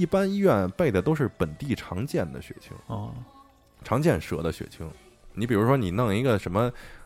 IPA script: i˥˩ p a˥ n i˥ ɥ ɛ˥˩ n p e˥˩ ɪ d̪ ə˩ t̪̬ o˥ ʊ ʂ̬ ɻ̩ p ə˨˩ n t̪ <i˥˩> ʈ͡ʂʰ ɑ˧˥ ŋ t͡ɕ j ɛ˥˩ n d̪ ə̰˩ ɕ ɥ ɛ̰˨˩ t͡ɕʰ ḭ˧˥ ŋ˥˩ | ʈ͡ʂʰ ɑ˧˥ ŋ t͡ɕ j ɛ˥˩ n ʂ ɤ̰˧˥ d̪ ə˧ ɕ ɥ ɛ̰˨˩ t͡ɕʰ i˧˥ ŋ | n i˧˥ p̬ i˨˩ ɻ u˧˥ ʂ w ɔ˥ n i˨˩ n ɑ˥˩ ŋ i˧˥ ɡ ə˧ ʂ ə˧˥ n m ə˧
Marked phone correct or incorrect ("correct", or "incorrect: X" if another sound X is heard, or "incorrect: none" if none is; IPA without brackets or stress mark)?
correct